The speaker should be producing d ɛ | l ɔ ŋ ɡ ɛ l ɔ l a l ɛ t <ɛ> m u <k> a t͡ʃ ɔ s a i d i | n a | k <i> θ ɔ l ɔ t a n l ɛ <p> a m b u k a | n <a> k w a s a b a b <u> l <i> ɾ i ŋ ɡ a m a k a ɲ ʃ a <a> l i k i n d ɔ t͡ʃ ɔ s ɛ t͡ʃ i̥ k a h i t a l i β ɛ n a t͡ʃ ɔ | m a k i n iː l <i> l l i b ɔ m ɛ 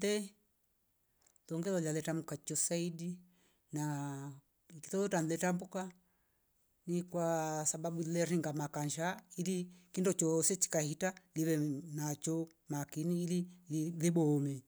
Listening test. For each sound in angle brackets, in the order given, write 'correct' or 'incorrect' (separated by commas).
incorrect, correct, correct, incorrect, incorrect, correct, incorrect, incorrect, correct